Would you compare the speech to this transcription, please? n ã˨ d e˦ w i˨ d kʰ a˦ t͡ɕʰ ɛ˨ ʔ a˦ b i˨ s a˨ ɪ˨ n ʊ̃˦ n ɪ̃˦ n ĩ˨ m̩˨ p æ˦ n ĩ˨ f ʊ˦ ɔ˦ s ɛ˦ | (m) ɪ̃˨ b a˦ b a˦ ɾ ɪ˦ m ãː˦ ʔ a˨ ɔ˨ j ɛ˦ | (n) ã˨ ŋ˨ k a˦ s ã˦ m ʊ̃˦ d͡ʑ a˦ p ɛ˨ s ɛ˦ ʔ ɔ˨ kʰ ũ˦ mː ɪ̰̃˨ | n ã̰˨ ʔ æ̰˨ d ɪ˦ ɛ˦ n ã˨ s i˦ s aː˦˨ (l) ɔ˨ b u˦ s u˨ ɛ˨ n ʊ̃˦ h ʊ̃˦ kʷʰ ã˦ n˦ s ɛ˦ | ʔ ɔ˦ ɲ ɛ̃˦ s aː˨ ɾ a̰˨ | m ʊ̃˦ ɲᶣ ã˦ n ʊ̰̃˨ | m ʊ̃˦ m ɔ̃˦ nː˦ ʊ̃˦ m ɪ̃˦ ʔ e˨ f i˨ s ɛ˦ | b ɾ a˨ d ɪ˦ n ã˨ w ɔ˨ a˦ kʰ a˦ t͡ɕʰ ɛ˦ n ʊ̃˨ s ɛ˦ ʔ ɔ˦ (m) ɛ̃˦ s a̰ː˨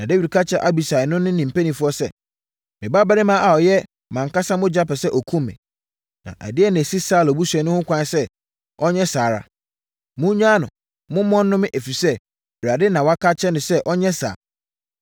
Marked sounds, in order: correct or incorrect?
correct, incorrect, correct, incorrect

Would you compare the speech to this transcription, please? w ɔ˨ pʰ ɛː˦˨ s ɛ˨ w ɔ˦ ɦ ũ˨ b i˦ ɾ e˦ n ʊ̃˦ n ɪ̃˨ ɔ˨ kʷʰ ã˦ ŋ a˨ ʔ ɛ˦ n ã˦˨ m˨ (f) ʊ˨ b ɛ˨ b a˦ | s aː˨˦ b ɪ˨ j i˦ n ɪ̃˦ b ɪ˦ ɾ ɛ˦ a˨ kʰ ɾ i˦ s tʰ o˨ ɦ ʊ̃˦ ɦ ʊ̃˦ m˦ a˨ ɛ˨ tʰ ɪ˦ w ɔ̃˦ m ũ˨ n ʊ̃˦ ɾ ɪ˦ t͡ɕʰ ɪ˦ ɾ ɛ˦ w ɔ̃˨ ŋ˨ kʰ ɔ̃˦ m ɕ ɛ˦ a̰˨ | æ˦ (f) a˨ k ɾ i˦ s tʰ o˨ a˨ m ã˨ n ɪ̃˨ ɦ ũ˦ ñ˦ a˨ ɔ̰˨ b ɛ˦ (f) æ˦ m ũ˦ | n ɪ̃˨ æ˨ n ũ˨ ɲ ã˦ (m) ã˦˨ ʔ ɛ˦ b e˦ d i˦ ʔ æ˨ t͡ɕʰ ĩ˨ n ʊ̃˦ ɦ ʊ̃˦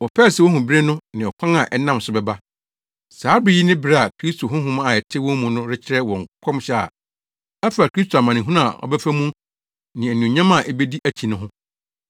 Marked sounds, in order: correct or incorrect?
incorrect, correct, correct, correct

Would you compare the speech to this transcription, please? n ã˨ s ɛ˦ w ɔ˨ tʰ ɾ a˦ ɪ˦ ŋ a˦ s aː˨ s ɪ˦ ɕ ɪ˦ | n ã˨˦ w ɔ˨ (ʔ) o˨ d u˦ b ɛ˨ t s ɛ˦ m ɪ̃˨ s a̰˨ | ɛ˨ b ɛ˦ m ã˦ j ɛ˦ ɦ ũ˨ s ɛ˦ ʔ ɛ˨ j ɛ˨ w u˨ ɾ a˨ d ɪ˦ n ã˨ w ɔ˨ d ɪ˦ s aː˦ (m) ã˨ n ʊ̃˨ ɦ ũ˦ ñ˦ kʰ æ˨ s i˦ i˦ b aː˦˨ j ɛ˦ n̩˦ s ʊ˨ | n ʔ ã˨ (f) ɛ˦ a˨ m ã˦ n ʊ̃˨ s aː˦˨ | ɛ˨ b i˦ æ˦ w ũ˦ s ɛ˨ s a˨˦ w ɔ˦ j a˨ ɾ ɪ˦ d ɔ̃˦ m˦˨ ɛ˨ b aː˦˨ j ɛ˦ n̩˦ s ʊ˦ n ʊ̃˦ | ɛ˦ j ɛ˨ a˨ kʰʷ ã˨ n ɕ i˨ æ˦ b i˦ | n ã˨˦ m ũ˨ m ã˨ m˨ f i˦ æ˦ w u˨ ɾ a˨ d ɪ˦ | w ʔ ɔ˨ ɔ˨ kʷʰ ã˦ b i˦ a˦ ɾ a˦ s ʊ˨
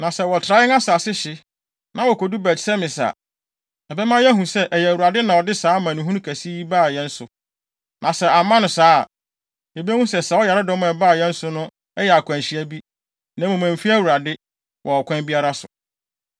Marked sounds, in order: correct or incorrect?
incorrect, correct, incorrect

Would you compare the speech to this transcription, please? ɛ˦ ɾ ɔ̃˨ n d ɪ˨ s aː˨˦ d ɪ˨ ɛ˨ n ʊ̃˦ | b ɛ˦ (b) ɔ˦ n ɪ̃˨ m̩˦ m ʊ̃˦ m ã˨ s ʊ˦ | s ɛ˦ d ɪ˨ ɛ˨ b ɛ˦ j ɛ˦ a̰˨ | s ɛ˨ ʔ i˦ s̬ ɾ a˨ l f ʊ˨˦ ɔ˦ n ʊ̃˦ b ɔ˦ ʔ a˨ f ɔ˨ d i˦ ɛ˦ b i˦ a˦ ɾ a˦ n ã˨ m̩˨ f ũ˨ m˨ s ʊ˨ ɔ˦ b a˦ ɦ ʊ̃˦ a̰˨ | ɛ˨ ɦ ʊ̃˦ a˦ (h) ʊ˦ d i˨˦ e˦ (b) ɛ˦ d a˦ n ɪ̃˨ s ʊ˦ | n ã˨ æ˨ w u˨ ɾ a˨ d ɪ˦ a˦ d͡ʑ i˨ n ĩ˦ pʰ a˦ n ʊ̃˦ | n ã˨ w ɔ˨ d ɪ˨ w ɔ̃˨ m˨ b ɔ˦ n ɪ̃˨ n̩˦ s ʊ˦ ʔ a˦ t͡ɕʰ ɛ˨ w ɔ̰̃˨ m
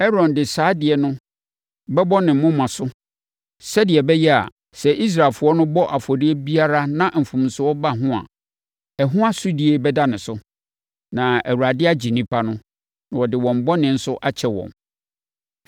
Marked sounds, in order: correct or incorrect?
correct, incorrect, correct

